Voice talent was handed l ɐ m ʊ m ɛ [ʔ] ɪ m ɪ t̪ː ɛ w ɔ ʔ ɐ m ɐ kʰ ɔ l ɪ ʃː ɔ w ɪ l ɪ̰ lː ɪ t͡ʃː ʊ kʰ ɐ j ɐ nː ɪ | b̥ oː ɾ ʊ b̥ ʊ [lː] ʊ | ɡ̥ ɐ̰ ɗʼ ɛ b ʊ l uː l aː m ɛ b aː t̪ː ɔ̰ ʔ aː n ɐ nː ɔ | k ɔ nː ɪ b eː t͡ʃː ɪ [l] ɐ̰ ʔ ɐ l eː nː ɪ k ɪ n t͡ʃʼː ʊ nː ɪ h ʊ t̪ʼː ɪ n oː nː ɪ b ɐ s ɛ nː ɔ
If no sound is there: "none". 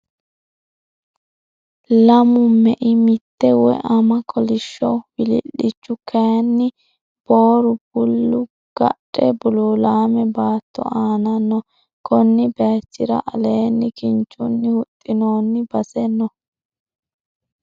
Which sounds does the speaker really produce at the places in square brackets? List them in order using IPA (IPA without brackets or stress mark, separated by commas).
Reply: ʔ, lː, ɾ